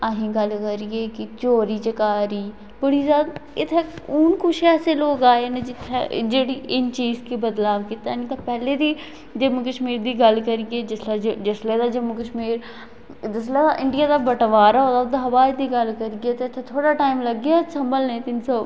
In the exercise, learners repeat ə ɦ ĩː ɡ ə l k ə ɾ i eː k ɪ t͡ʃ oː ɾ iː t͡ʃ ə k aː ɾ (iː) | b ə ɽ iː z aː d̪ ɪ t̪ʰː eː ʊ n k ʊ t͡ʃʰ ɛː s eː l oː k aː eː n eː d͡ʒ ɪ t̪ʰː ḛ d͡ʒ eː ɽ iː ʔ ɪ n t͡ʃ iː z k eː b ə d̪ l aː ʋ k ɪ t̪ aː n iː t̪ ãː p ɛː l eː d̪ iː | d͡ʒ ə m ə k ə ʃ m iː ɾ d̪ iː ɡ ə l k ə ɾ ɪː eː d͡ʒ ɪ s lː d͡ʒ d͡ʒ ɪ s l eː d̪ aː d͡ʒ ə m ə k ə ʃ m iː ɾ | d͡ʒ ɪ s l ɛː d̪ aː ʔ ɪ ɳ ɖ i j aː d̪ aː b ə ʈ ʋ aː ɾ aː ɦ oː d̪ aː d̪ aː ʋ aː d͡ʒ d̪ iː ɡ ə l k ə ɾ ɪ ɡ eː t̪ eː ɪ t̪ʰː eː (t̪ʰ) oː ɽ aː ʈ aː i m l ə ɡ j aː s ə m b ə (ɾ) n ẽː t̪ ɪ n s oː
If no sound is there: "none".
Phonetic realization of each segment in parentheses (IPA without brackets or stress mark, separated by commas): iː, t̪ʰ, l